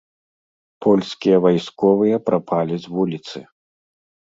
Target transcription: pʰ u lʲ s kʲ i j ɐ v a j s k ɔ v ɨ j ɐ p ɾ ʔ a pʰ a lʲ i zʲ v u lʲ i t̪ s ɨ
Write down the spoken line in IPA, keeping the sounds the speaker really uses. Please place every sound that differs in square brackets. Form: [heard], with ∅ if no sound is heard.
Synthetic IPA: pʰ [ɔ] lʲ s kʲ i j ɐ v a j s k ɔ v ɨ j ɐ p ɾ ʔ a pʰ a lʲ i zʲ v u lʲ i t̪ s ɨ